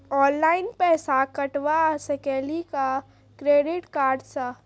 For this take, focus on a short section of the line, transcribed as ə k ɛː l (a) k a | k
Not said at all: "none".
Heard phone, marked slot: i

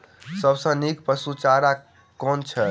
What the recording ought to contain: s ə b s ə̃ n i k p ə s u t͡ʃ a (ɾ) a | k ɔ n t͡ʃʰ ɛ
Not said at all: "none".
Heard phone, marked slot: ɾ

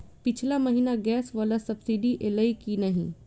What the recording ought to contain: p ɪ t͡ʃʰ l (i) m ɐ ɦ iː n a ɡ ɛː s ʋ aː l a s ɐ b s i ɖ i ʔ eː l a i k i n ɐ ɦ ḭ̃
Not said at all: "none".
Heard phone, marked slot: a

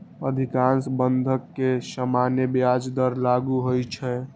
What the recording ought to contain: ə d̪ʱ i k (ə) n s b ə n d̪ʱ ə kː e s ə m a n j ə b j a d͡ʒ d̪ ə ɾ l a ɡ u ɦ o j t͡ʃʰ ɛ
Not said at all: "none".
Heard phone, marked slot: a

